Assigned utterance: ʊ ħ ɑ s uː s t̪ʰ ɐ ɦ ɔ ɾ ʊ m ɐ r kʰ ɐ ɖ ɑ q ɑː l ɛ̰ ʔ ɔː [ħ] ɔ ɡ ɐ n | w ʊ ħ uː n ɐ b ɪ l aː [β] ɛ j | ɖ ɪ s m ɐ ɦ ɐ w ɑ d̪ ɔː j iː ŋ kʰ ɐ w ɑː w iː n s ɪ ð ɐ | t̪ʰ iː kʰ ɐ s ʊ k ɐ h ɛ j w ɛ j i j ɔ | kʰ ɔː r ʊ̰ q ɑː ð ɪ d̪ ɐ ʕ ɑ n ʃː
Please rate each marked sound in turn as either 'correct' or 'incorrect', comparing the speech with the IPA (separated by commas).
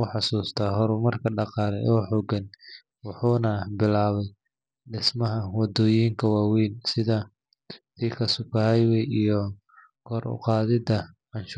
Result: correct, correct